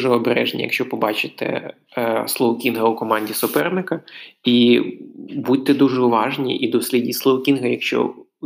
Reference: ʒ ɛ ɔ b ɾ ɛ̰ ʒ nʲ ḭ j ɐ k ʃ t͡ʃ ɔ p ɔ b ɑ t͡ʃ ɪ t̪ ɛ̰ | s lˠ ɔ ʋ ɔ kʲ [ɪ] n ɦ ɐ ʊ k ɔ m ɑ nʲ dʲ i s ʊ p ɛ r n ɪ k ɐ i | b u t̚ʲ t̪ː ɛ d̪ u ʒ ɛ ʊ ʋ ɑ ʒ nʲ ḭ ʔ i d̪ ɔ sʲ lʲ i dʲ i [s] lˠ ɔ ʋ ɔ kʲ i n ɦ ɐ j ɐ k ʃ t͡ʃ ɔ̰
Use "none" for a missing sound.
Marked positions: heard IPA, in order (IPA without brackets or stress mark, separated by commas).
i, s